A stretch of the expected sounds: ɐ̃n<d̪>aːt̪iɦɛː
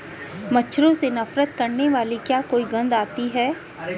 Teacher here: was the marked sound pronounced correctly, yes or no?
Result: yes